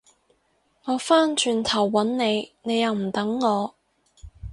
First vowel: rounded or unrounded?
rounded